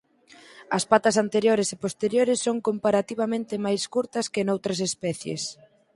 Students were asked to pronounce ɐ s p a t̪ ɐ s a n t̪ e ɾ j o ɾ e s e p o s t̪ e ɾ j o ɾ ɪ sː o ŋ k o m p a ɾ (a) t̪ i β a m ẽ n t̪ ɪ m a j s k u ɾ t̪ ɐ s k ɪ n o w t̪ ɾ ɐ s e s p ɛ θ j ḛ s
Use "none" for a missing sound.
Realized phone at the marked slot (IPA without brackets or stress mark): a